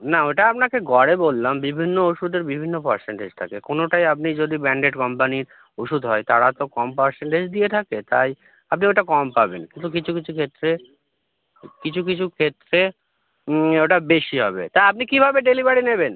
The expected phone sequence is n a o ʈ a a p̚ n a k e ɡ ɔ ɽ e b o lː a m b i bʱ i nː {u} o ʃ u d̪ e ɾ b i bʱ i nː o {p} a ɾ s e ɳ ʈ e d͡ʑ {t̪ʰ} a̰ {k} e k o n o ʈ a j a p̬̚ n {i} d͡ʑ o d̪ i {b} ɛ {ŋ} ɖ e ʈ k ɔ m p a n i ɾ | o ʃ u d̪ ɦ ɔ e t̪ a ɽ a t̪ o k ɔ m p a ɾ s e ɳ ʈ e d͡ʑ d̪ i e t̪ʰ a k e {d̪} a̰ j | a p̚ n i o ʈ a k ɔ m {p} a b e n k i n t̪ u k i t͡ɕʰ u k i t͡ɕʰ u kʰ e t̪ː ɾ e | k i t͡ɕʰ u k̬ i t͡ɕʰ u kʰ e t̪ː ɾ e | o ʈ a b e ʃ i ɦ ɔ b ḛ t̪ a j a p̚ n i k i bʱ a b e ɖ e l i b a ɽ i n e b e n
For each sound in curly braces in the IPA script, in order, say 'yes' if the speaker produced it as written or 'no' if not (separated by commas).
no, yes, yes, yes, yes, yes, no, no, yes